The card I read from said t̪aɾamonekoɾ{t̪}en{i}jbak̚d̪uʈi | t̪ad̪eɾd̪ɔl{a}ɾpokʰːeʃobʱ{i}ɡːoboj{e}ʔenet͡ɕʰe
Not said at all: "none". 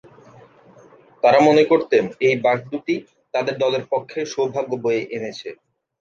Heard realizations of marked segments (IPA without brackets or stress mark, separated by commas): t̪, e, e, a, e